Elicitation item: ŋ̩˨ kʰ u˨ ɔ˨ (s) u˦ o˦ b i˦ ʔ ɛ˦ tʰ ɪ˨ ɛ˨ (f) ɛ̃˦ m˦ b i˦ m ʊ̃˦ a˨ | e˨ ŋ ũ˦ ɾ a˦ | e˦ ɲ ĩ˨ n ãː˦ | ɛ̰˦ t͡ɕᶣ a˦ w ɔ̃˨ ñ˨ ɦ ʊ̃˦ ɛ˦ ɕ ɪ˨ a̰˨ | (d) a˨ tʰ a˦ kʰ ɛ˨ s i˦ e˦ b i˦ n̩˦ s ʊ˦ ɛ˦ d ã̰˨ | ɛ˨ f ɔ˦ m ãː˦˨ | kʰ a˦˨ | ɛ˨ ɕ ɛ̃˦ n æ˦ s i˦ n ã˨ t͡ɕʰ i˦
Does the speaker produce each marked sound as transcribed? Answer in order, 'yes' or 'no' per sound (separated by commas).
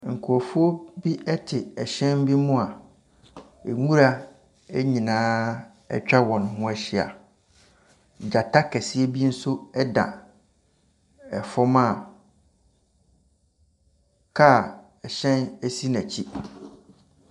no, no, no